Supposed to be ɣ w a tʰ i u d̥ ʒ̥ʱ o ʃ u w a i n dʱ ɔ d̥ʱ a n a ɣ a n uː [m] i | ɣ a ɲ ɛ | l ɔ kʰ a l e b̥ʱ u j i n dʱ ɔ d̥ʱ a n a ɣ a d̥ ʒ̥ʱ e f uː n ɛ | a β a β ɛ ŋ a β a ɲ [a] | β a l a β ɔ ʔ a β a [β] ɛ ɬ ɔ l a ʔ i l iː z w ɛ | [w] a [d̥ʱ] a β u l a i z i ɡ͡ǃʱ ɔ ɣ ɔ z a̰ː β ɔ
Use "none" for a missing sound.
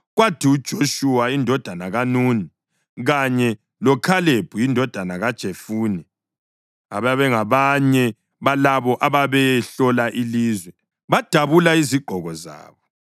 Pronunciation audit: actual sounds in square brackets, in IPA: n, ɛ, β, β, d̥ʱ

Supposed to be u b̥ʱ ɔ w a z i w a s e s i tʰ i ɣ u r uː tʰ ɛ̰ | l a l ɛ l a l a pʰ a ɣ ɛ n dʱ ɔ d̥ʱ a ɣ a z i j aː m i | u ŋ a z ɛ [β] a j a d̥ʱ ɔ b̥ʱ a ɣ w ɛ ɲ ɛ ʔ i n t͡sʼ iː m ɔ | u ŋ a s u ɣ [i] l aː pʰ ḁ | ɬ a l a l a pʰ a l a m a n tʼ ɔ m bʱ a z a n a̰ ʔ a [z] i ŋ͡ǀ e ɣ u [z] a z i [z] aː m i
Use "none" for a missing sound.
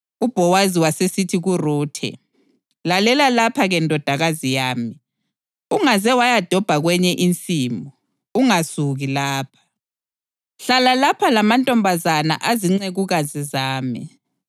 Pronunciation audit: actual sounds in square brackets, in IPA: w, i, z, ɣ, z

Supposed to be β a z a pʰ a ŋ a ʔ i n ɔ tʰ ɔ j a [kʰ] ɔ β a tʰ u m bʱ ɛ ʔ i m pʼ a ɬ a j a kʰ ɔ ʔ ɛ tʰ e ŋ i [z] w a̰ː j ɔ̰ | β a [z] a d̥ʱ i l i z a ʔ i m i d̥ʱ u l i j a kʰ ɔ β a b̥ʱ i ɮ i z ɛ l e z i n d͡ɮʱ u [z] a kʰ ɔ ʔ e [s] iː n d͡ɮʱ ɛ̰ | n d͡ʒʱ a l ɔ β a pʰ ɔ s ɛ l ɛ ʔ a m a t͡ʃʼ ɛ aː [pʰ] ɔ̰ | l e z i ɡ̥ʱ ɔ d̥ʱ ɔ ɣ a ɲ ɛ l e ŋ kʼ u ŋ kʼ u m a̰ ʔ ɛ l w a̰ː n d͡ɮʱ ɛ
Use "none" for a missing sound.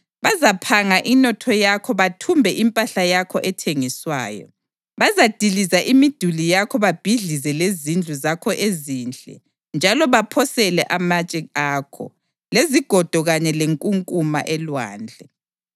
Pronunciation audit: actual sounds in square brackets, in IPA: kʰ, s, z, z, z, kʰ

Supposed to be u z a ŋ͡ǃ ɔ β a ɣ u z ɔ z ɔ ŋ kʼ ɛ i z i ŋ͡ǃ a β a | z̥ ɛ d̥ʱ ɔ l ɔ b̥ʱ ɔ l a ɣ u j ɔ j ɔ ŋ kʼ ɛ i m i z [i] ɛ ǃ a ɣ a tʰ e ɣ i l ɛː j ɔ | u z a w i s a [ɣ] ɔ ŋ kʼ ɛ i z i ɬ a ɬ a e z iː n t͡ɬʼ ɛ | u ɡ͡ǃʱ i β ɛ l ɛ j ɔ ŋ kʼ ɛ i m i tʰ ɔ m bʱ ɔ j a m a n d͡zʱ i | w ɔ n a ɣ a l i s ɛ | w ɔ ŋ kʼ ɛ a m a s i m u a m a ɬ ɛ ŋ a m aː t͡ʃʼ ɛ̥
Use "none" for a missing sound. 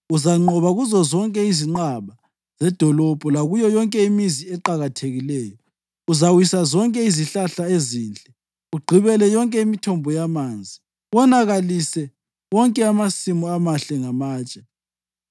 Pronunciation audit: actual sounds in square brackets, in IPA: i, z

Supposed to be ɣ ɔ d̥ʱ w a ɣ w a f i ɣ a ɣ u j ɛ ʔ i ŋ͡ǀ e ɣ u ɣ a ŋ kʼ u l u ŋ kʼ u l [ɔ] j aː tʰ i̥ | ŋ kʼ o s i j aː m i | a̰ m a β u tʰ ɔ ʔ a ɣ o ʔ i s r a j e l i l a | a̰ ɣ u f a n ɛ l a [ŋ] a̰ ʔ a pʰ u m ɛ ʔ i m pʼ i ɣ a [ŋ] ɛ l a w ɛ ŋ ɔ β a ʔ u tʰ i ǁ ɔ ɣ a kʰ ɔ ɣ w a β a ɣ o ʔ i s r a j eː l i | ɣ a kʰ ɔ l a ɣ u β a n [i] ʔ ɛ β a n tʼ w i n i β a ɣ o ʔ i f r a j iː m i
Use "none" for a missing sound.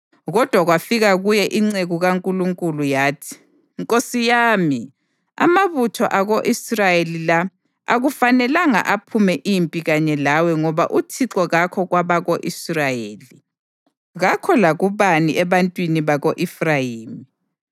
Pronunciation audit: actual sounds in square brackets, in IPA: u, ŋ, ɲ, i

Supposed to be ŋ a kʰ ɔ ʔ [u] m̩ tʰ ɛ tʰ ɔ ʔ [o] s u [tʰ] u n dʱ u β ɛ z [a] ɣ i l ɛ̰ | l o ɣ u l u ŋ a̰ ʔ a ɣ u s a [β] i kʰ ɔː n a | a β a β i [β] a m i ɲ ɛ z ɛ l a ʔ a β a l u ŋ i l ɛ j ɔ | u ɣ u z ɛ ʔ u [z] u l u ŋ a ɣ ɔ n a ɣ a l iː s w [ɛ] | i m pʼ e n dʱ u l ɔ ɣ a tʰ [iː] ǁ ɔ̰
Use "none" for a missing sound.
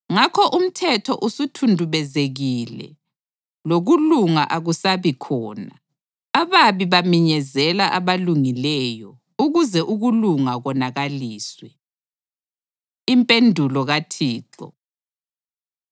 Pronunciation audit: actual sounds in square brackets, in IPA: u, u, tʰ, e, β, β, ɣ, ɛ, iː

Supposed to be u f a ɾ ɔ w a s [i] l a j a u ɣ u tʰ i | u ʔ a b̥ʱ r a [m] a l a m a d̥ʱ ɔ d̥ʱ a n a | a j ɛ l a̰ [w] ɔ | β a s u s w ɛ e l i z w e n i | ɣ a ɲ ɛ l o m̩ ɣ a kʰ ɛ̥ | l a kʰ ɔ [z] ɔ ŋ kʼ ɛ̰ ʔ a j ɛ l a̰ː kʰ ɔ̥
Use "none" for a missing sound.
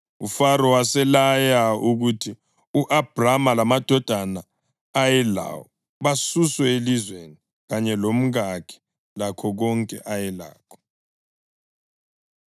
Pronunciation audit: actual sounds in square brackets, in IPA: ɛ, m, w, ɣ

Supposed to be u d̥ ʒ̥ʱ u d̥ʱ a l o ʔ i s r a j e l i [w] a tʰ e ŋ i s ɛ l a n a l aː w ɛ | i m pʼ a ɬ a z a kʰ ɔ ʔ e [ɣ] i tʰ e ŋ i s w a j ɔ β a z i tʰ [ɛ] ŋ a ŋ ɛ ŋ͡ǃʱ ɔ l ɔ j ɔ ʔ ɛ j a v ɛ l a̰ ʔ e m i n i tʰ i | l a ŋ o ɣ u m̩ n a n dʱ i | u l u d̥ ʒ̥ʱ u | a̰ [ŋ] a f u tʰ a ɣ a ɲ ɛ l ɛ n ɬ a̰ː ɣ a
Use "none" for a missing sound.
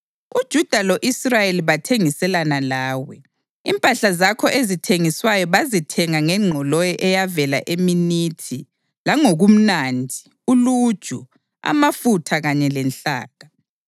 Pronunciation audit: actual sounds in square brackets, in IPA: β, z, ɛ, m

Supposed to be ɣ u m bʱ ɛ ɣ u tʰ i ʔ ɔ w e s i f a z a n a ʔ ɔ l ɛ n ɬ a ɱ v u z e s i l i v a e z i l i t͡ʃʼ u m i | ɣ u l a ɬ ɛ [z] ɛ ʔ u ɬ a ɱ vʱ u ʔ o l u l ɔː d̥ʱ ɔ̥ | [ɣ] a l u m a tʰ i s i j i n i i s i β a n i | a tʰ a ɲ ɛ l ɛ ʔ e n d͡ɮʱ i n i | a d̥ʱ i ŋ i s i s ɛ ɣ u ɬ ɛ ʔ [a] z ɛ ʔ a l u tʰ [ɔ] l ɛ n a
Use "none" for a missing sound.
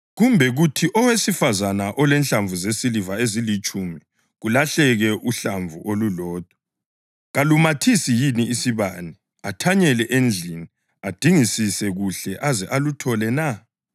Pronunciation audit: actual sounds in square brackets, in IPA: ɣ, ɣ, a, ɔ

